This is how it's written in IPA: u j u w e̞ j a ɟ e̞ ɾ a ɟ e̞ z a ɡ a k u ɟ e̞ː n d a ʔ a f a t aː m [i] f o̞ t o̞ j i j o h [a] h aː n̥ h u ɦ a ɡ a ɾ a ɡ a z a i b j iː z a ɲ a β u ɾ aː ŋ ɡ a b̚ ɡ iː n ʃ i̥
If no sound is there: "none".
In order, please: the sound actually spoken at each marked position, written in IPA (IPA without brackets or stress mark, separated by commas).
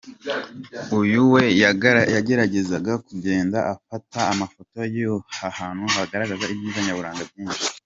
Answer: a, a